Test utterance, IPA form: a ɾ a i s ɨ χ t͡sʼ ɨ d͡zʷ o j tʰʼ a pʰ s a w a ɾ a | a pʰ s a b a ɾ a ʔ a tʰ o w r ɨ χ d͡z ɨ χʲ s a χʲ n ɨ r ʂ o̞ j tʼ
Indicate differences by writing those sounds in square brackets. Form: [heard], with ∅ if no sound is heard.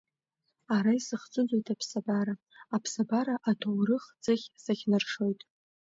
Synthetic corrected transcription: a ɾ a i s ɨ χ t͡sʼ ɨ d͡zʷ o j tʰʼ a pʰ s a [b] a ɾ a | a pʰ s a b a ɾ a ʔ a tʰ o w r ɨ χ d͡z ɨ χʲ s a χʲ n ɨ r ʂ o̞ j tʼ